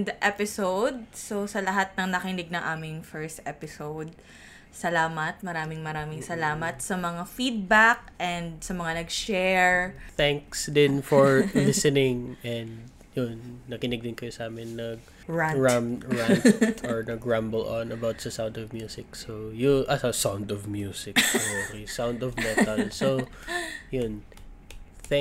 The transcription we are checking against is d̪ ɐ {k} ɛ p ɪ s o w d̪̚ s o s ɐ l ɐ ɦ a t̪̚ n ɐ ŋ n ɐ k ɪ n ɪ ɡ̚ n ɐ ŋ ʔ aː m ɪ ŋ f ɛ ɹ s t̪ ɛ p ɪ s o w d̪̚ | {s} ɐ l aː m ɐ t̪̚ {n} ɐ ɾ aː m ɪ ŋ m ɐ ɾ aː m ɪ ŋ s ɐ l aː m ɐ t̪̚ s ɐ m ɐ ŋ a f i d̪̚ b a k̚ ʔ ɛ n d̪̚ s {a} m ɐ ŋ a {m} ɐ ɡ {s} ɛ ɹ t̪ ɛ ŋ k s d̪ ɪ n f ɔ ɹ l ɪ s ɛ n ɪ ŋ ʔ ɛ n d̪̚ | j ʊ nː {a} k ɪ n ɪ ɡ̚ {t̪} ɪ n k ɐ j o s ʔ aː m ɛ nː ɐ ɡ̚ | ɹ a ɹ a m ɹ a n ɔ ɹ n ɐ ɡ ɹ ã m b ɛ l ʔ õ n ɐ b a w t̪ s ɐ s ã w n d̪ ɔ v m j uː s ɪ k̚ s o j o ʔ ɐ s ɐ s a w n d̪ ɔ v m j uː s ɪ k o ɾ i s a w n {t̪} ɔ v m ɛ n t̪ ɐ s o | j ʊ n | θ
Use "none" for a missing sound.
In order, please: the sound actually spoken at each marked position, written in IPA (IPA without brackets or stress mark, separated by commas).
ʔ, s, m, ɐ, n, ʃ, ɐ, d̪, d̪